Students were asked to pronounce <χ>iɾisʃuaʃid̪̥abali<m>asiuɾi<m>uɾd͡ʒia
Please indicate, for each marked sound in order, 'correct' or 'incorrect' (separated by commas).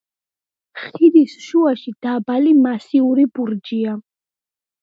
correct, correct, incorrect